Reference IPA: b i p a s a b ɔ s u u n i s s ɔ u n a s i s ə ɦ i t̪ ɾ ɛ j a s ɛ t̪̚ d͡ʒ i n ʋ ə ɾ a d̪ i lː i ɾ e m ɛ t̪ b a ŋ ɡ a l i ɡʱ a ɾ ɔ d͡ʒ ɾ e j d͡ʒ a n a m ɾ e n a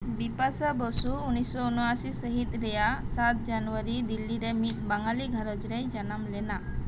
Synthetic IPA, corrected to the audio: b i p a s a b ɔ s u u n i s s ɔ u n a s i s ə ɦ i t̪ ɾ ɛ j a s a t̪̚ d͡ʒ a n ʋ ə ɾ i d̪ i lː i ɾ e m i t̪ b a ŋ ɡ a l i ɡʱ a ɾ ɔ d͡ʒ ɾ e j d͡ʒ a n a m l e n a